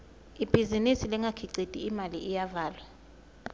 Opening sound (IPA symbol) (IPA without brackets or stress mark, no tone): i